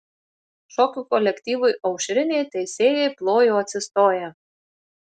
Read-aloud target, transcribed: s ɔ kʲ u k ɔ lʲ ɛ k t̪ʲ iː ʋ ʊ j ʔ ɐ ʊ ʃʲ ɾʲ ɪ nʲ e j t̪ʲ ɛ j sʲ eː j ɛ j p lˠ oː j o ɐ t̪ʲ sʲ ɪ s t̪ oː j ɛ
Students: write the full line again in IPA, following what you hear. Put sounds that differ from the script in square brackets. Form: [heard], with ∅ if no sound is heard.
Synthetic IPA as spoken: [ʃ] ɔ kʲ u k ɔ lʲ ɛ k t̪ʲ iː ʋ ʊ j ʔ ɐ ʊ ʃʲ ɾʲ ɪ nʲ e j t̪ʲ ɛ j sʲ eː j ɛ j p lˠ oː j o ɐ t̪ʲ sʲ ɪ s t̪ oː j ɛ